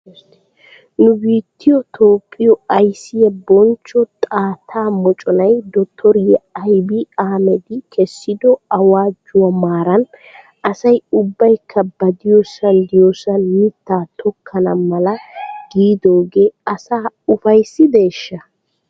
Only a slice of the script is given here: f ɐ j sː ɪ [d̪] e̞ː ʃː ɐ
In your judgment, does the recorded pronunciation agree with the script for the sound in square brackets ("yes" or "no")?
yes